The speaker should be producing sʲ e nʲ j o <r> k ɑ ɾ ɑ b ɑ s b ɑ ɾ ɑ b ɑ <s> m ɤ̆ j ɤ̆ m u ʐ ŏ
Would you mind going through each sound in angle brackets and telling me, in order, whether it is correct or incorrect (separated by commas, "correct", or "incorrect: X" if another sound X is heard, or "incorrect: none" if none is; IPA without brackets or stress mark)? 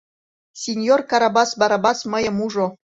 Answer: correct, correct